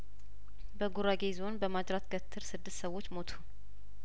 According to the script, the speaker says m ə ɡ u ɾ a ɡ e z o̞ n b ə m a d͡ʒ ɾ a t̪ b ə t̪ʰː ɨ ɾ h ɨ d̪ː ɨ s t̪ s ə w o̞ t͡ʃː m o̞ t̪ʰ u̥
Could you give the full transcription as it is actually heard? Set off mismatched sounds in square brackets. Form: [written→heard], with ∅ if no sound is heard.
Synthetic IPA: [m→b] ə ɡ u ɾ a ɡ e z o̞ n b ə m a d͡ʒ ɾ a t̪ [b→ɡ] ə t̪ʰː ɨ ɾ [h→s] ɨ d̪ː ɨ s t̪ s ə w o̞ t͡ʃː m o̞ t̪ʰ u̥